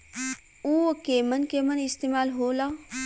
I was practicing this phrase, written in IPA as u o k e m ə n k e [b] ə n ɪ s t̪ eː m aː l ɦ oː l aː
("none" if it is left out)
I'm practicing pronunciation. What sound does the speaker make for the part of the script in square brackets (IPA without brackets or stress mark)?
m